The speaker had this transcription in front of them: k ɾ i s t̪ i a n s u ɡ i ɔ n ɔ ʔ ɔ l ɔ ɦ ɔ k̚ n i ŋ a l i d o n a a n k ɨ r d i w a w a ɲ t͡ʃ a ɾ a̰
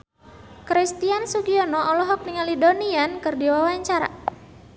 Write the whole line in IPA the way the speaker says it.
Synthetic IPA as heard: k ɾ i s t̪ i a n s u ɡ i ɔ n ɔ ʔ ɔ l ɔ ɦ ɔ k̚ n i ŋ a l i d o n i a n k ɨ r d i w a w a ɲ t͡ʃ a ɾ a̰